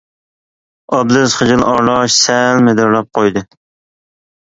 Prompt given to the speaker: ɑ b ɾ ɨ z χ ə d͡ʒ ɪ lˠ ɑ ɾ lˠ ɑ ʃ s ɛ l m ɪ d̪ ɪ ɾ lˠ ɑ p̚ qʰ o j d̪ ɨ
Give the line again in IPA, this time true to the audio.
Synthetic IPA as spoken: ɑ b l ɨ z χ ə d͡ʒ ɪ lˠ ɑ ɾ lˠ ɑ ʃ s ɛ l m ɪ d̪ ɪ ɾ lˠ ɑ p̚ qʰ o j d̪ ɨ